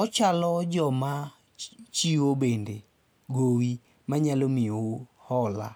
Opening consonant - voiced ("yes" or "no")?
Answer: no